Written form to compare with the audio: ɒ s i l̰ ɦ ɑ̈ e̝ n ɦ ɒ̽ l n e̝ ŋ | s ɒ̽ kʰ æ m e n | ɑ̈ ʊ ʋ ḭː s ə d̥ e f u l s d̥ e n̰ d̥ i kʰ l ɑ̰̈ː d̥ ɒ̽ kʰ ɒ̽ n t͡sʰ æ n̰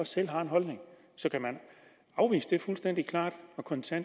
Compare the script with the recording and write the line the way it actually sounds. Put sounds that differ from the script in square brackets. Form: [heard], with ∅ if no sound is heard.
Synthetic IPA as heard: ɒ s [e] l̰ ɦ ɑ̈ e̝ n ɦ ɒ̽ l n e̝ ŋ | s ɒ̽ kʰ æ m [æ] n | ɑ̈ ʊ ʋ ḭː s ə d̥ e f u l s d̥ e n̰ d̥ i kʰ l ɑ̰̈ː d̥ ɒ̽ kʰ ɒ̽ n t͡sʰ æ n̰